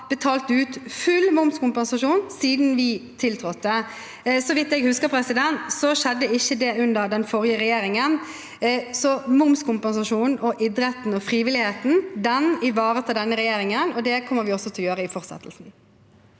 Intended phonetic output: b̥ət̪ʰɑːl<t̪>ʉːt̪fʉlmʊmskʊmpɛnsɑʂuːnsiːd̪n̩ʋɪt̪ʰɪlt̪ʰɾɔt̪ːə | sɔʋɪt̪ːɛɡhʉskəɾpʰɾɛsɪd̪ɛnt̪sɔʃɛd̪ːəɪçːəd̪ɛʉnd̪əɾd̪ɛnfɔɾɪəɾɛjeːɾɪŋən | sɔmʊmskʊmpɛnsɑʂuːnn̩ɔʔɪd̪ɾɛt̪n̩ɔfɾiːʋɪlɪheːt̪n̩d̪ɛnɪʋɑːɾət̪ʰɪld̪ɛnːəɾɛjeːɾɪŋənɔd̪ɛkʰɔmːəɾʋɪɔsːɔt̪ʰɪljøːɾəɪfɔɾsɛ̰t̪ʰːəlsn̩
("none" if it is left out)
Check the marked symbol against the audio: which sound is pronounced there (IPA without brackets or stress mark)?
t̪